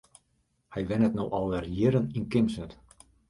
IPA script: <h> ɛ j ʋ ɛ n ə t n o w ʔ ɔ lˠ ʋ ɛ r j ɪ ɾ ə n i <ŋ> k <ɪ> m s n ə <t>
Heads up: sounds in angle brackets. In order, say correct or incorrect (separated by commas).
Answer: correct, incorrect, correct, correct